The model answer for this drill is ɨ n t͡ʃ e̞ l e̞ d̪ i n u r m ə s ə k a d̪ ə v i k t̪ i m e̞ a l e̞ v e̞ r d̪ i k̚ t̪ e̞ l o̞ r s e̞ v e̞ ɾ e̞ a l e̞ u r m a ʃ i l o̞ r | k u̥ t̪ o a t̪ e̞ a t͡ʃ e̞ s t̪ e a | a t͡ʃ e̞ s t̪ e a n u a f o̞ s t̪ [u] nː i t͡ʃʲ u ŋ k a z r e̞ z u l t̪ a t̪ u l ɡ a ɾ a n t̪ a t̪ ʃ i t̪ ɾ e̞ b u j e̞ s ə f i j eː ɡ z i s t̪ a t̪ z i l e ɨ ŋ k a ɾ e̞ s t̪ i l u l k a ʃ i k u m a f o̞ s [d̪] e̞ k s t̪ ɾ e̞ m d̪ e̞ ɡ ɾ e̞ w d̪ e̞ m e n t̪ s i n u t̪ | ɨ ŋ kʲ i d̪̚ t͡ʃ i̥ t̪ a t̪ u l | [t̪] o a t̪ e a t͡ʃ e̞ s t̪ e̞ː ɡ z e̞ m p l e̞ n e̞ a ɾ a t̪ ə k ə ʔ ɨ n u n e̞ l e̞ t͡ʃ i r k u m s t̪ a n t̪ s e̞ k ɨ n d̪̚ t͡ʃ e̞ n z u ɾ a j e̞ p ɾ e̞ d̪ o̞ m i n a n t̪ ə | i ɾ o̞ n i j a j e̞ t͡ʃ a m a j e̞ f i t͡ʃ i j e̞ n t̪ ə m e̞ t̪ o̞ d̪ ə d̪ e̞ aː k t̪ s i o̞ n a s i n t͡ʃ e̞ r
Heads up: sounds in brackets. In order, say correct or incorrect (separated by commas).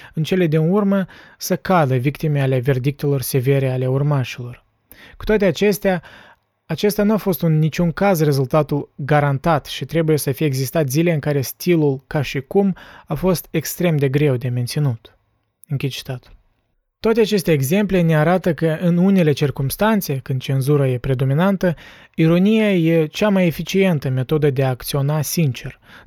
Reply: correct, incorrect, correct